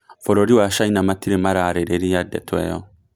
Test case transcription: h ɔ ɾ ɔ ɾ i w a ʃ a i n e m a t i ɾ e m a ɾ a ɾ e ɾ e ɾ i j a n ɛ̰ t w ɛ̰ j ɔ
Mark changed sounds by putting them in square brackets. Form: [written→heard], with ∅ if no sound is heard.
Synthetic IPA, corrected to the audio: [h→f] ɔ ɾ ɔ ɾ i w a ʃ a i n [e→a] m a t i ɾ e m a ɾ a ɾ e ɾ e ɾ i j a [n→d] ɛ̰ t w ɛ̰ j ɔ